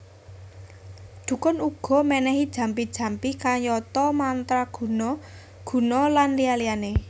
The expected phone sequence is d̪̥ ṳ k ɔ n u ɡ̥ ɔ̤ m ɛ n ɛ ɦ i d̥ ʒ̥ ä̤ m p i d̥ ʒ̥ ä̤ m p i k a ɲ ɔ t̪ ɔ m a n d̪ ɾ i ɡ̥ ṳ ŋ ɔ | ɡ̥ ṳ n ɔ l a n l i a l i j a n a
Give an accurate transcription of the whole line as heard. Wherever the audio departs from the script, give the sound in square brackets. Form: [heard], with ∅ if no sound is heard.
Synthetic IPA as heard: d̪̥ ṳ k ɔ n u ɡ̥ ɔ̤ m ɛ n ɛ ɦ i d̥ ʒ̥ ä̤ m p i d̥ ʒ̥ ä̤ m p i k a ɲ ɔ t̪ ɔ m a n [t̪] ɾ [a] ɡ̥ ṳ [n] ɔ | ɡ̥ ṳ n ɔ l a n l i a l i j a n [e]

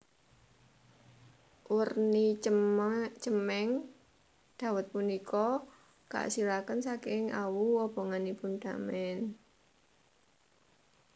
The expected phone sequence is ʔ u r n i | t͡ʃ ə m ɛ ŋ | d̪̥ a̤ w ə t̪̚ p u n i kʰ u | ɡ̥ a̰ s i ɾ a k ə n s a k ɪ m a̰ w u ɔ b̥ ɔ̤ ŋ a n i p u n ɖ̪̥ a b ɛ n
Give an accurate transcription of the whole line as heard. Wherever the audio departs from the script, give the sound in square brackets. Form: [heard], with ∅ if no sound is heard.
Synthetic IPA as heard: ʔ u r n i | t͡ʃ ə m ɛ ŋ | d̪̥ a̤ w ə t̪̚ p u n i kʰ [ɔ] | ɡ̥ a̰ s i ɾ a k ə n s a k ɪ [ŋ] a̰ w u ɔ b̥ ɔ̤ ŋ a n i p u n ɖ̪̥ a [m] ɛ n

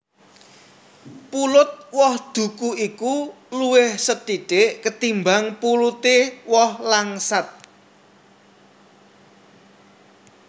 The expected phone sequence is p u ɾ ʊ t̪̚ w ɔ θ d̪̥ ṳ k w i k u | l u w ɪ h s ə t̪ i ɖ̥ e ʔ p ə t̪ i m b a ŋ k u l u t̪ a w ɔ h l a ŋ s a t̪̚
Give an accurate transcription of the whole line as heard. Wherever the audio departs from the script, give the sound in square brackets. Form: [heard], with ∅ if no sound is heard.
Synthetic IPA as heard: p u [l] ʊ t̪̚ w ɔ [h] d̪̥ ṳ k [u] i k u | l u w ɪ h s ə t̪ i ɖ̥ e ʔ [k] ə t̪ i m b a ŋ [p] u l u t̪ [e] w ɔ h l a ŋ s a t̪̚

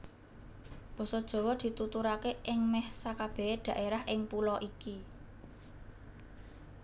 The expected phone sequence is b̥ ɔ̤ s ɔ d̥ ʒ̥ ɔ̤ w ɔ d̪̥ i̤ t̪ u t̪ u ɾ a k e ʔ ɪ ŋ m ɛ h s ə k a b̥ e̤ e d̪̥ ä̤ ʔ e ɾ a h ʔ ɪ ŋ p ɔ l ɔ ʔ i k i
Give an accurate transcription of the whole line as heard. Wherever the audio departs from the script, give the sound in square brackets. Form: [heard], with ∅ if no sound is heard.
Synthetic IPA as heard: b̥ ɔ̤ s ɔ d̥ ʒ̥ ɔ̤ w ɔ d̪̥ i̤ t̪ u t̪ u ɾ a k e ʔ ɪ ŋ m ɛ h s [a] k a b̥ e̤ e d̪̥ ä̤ ʔ e ɾ a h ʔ ɪ ŋ p [u] l ɔ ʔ i k i

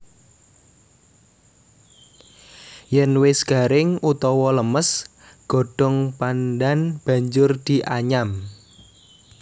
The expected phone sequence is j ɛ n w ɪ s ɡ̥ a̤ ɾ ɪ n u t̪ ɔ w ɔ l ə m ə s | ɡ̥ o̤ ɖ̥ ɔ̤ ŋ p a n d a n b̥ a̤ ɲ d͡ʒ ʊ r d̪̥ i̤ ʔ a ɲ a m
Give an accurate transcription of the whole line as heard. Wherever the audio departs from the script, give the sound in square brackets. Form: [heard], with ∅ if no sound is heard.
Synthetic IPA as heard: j ɛ n w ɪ s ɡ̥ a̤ ɾ ɪ [ŋ] u t̪ ɔ w ɔ l ə m ə s | ɡ̥ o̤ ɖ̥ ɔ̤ ŋ p a n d a n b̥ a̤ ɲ d͡ʒ ʊ r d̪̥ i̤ ʔ a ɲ a m

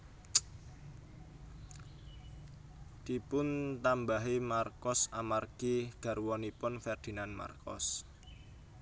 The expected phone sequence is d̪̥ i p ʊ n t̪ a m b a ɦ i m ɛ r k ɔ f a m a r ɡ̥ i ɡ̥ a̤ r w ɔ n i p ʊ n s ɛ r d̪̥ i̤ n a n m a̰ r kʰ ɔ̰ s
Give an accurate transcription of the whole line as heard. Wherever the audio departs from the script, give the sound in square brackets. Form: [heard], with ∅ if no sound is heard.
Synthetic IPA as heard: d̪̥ i p ʊ n t̪ a m b a ɦ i m [a] r k ɔ [s] a m a r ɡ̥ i ɡ̥ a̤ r w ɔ n i p ʊ n [f] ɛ r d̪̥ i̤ n a n m a̰ r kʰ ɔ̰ s

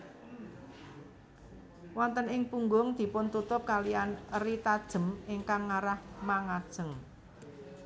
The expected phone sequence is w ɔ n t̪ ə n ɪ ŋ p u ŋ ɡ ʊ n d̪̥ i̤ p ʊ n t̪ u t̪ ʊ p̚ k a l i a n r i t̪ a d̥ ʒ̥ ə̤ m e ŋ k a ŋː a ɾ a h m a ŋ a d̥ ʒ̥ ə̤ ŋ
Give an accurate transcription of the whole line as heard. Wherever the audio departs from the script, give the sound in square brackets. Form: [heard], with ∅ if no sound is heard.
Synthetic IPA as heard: w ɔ n t̪ ə n ɪ ŋ p u ŋ ɡ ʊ [ŋ] d̪̥ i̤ p ʊ n t̪ u t̪ ʊ p̚ k a l i a n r i t̪ a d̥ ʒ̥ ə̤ m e ŋ k a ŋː a ɾ a h m a ŋ a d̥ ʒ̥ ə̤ ŋ

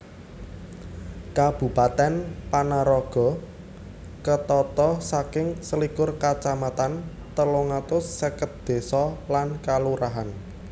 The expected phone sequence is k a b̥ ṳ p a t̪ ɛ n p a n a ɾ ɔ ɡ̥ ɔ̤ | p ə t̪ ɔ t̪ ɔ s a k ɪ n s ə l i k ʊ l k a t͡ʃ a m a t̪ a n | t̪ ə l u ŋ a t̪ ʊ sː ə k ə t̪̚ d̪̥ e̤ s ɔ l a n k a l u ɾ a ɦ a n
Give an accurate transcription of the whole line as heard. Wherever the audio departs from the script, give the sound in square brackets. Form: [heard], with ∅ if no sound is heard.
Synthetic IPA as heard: k a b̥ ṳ p a t̪ ɛ n p a n a ɾ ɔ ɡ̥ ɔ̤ | [k] ə t̪ ɔ t̪ ɔ s a k ɪ [ŋ] s ə l i k ʊ [r] k a t͡ʃ a m a t̪ a n | t̪ ə l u ŋ a t̪ ʊ sː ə k ə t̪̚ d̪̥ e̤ s ɔ l a n k a l u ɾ a ɦ a n

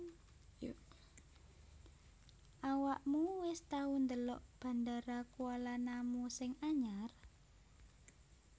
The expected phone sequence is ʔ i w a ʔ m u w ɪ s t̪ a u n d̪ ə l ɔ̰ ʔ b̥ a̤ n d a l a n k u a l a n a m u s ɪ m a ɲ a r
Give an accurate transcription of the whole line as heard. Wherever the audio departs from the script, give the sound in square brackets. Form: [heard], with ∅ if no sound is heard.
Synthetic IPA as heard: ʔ [a] w a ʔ m u w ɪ s t̪ a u n d̪ ə l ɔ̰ ʔ b̥ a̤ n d a [ɾ] a [∅] k u a l a n a m u s ɪ [ŋ] a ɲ a r

